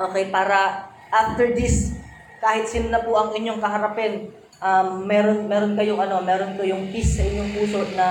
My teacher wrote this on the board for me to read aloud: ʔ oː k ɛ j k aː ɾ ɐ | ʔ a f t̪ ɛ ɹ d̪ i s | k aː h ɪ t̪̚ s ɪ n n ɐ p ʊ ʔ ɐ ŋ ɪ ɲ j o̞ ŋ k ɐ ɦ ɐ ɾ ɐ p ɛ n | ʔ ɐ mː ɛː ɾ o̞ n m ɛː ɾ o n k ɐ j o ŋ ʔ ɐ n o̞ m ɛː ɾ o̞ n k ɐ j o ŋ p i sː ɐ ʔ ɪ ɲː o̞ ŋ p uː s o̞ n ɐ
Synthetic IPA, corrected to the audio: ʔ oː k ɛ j p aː ɾ ɐ | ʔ a f t̪ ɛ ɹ d̪ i s | k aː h ɪ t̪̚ s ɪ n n ɐ p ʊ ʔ ɐ ŋ ɪ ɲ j o̞ ŋ k ɐ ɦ ɐ ɾ ɐ p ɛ n | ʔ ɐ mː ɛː ɾ o̞ n m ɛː ɾ o n k ɐ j o ŋ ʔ ɐ n o̞ m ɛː ɾ o̞ n k ɐ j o ŋ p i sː ɐ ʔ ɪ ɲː o̞ ŋ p uː s o̞ n ɐ